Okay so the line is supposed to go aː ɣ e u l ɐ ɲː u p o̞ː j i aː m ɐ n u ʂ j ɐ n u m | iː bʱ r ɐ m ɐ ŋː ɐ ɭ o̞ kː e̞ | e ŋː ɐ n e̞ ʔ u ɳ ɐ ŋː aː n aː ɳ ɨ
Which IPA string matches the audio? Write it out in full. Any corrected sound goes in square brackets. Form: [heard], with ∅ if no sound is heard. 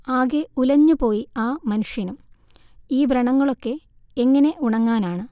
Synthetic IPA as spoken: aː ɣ e u l ɐ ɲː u p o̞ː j i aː m ɐ n u ʂ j ɐ n u m | iː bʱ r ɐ [ɳ] ɐ ŋː ɐ ɭ o̞ kː e̞ | e ŋː ɐ n e̞ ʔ u ɳ ɐ ŋː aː n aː ɳ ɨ

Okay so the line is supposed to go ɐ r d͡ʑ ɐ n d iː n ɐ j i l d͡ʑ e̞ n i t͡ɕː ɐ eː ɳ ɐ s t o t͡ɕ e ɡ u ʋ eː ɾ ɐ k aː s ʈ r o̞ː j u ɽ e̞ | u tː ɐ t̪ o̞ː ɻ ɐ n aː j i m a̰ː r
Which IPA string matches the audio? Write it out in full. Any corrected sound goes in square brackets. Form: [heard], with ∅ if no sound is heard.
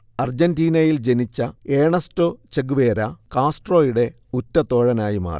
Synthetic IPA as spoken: ɐ r d͡ʑ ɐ n d iː n ɐ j i l d͡ʑ e̞ n i t͡ɕː ɐ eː ɳ ɐ s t o t͡ɕ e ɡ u ʋ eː ɾ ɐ k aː s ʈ r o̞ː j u ɽ e̞ | u tː ɐ t̪ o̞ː ɻ ɐ n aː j i m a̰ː r

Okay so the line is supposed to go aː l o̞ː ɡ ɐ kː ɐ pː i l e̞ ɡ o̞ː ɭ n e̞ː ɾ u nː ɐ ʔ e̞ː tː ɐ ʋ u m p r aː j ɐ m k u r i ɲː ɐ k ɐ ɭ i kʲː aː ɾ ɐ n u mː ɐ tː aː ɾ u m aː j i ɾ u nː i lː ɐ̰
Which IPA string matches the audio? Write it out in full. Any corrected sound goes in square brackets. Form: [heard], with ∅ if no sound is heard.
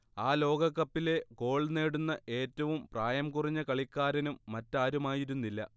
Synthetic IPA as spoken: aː l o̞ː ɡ ɐ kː ɐ pː i l e̞ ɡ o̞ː ɭ n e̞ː [ɽ] u nː ɐ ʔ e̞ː tː ɐ ʋ u m p r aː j ɐ m k u r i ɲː ɐ k ɐ ɭ i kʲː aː ɾ ɐ n u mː ɐ tː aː ɾ u m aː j i ɾ u nː i lː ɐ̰

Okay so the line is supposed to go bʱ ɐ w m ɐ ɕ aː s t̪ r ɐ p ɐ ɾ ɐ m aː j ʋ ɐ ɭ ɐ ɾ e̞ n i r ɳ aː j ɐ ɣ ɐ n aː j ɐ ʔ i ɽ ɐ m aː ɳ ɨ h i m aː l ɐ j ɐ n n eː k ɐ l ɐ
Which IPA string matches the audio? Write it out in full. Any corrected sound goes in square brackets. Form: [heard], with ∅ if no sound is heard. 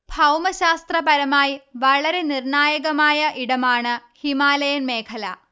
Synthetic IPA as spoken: bʱ ɐ w m ɐ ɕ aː s t̪ r ɐ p ɐ ɾ ɐ m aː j ʋ ɐ ɭ ɐ ɾ e̞ n i r ɳ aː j ɐ ɣ ɐ [m] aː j ɐ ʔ i ɽ ɐ m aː ɳ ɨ h i m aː l ɐ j ɐ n [m] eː [kʰ] ɐ l ɐ

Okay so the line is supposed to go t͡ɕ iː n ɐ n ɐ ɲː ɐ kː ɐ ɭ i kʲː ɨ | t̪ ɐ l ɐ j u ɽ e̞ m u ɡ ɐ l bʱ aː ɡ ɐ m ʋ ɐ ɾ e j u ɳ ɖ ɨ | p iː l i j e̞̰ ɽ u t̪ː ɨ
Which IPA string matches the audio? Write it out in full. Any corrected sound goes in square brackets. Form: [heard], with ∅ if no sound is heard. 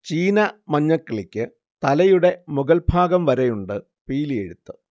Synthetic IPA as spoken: t͡ɕ iː n ɐ [m] ɐ ɲː ɐ kː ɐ ɭ i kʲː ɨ | t̪ ɐ l ɐ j u ɽ e̞ m u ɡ ɐ l bʱ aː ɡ ɐ m ʋ ɐ ɾ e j u ɳ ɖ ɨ | p iː l i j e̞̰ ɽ u t̪ː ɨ

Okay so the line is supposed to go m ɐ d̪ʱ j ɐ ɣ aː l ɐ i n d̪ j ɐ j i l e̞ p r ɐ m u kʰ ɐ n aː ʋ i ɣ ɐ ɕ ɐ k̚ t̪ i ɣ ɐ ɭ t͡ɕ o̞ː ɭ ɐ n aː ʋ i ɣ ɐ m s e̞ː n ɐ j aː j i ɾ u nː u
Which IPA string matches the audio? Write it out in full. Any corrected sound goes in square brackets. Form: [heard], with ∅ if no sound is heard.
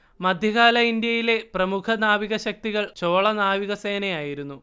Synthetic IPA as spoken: m ɐ d̪ʱ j ɐ ɣ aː l ɐ i n d̪ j ɐ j i l e̞ p r ɐ m u kʰ ɐ n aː ʋ i ɣ ɐ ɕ ɐ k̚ t̪ i ɣ ɐ ɭ t͡ɕ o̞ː ɭ ɐ n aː ʋ i ɣ ɐ [∅] s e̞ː n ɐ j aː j i ɾ u nː u

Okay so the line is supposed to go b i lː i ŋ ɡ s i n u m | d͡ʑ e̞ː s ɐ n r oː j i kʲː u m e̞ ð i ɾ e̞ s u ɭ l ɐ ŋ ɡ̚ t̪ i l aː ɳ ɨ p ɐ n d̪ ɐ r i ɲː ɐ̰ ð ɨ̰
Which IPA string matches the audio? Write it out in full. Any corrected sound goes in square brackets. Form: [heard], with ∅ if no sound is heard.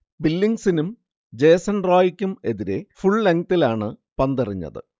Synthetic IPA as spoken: b i lː i ŋ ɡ s i n u m | d͡ʑ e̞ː s ɐ n r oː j i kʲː u m e̞ ð i ɾ e̞ [f] u ɭ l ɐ ŋ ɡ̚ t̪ i l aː ɳ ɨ p ɐ n d̪ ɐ r i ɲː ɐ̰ ð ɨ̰

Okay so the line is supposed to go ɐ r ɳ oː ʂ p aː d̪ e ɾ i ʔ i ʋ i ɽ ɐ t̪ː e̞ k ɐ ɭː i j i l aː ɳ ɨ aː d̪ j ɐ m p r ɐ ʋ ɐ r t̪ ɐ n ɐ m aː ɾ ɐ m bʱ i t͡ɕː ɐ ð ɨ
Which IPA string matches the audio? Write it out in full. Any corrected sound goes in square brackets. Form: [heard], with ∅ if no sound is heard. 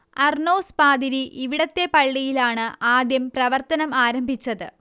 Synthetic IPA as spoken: ɐ r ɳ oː [s] p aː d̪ [i] ɾ i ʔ i ʋ i ɽ ɐ t̪ː e̞ [p] ɐ ɭː i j i l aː ɳ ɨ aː d̪ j ɐ m p r ɐ ʋ ɐ r t̪ ɐ n ɐ m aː ɾ ɐ m bʱ i t͡ɕː ɐ ð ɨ

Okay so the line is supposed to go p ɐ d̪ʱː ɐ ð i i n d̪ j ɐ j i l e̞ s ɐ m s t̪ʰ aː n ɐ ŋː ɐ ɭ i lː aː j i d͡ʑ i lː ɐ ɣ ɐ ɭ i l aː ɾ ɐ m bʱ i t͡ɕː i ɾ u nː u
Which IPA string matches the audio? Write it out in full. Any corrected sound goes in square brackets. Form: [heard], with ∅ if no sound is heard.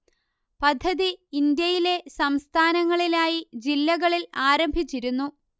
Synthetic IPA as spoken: p ɐ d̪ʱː ɐ ð i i n d̪ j ɐ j i l e̞ s ɐ m s t̪ʰ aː n ɐ ŋː ɐ ɭ i [l] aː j i d͡ʑ i lː ɐ ɣ ɐ ɭ i l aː ɾ ɐ m bʱ i t͡ɕː i ɾ u nː u

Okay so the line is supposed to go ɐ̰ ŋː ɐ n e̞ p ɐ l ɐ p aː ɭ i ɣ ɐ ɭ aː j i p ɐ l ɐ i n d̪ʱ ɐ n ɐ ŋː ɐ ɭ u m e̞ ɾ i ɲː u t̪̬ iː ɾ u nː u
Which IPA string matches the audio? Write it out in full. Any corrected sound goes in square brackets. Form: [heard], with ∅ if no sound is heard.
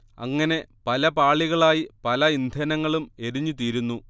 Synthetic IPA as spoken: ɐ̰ ŋː ɐ n e̞ p ɐ l ɐ p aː ɭ i ɣ ɐ ɭ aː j i p ɐ l ɐ i n d̪ʱ ɐ n ɐ ŋː ɐ ɭ u m e̞ ɾ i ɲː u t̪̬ iː ɾ u nː u

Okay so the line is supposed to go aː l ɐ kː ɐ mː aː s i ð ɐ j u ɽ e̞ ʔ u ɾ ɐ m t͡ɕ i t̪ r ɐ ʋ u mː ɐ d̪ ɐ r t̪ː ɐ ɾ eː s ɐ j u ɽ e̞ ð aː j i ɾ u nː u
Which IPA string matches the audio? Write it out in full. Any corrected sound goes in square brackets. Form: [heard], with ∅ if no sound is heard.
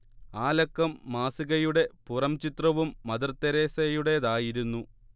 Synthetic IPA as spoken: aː l ɐ kː ɐ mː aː s i [ɣ] ɐ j u ɽ e̞ [p] u [r] ɐ m t͡ɕ i t̪ r ɐ ʋ u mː ɐ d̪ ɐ r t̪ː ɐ ɾ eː s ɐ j u ɽ e̞ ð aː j i ɾ u nː u

